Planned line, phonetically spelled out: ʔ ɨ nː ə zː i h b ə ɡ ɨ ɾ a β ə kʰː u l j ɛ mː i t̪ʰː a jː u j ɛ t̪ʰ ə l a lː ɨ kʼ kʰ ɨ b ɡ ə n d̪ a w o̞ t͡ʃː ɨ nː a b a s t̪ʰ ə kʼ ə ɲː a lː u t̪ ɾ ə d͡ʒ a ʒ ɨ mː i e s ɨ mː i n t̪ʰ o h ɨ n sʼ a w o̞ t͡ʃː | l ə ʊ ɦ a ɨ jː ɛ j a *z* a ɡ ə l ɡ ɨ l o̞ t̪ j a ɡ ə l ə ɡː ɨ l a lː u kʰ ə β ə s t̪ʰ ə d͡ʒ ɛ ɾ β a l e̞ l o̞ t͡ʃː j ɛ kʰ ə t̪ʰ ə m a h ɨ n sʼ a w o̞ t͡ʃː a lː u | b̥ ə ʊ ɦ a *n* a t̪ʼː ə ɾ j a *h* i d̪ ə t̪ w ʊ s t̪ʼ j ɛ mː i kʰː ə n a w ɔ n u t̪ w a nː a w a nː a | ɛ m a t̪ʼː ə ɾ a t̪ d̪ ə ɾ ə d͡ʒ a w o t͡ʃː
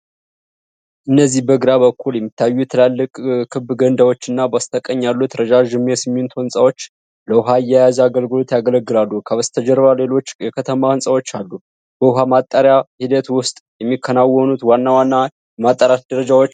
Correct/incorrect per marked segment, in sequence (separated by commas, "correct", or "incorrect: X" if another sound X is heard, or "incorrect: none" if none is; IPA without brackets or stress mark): correct, incorrect: m, correct